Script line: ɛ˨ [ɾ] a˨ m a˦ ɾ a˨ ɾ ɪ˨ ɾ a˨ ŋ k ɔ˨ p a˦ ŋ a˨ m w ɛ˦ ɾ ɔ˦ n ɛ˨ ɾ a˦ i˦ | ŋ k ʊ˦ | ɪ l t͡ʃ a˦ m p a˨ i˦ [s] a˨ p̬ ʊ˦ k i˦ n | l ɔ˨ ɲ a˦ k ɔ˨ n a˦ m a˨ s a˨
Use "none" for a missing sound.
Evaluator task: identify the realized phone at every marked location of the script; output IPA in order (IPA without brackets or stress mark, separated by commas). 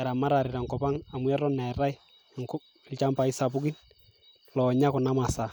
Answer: ɾ, s